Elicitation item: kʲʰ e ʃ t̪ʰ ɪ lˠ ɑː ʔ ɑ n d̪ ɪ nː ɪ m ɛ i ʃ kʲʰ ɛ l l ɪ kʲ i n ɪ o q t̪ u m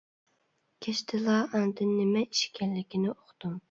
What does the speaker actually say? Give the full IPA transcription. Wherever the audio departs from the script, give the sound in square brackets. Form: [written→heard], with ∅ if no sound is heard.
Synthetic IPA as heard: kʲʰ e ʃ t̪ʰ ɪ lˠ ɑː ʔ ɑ n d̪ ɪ nː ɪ m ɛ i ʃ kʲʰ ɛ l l ɪ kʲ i n ɪ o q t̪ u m